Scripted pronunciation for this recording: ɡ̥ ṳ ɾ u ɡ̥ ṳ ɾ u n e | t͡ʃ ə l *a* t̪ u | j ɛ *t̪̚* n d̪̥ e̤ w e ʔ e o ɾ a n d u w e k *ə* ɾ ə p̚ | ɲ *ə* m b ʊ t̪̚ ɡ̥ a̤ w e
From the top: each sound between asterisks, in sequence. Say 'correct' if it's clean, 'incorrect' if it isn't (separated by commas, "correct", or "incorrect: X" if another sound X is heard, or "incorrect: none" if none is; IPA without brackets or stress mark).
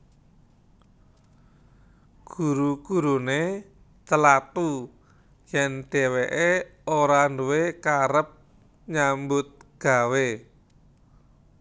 correct, incorrect: none, incorrect: a, incorrect: a